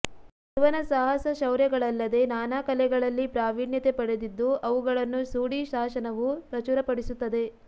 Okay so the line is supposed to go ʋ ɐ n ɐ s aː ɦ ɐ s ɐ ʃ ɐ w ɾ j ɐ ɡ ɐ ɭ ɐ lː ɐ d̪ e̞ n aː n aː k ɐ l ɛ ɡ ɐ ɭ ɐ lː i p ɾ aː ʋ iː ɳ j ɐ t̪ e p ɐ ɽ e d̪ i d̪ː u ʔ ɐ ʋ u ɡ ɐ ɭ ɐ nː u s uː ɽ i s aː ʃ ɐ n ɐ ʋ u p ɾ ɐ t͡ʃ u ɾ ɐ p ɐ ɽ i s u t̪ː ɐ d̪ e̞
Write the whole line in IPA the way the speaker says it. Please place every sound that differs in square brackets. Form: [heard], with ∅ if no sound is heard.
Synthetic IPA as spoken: ʋ ɐ n ɐ s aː ɦ ɐ s ɐ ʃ ɐ w ɾ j ɐ ɡ ɐ ɭ ɐ lː ɐ d̪ e̞ n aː n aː k ɐ l ɛ ɡ ɐ ɭ ɐ lː i p ɾ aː ʋ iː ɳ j ɐ t̪ e p ɐ ɽ e d̪ i d̪ː u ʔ ɐ ʋ u ɡ ɐ ɭ ɐ nː u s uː ɽ i [ʃ] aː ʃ ɐ n ɐ ʋ u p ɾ ɐ t͡ʃ u ɾ ɐ p ɐ ɽ i s u t̪ː ɐ d̪ e̞